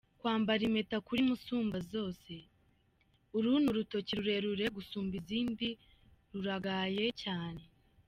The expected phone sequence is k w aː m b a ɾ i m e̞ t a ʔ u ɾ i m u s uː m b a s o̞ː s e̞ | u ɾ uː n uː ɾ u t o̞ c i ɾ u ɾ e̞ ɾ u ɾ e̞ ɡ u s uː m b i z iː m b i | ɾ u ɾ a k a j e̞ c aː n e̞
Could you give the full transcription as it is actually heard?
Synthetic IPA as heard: k w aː m b a ɾ i m e̞ t a k u ɾ i m u s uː m b a z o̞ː s e̞ | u ɾ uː n u ɾ u t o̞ c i ɾ u ɾ e̞ ɾ u ɾ e̞ ɡ u s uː m b i z iː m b i | ɾ u ɾ a ɡ a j e̞ c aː n e̞